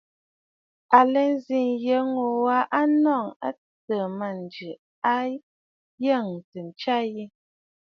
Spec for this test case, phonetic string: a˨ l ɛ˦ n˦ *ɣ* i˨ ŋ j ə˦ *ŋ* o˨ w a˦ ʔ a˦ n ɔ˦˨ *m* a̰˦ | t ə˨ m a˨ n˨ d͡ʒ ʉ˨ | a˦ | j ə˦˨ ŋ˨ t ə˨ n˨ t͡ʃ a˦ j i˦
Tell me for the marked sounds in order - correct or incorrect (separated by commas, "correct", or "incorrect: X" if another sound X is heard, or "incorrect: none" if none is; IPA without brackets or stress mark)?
incorrect: z, correct, incorrect: ŋ